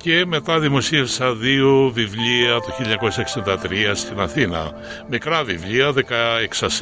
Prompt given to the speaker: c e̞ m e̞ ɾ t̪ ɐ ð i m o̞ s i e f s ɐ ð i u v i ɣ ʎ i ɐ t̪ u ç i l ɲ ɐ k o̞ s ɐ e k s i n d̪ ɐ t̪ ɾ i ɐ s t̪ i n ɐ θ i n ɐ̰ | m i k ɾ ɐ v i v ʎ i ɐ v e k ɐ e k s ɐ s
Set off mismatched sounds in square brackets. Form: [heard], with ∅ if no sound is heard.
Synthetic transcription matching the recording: c e̞ m e̞ [∅] t̪ ɐ ð i m o̞ s i e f s ɐ ð i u v i [v] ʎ i ɐ t̪ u ç i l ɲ ɐ k o̞ s ɐ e k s i n d̪ ɐ t̪ ɾ i ɐ s t̪ i n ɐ θ i n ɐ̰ | m i k ɾ ɐ v i v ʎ i ɐ [ð] e k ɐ e k s ɐ s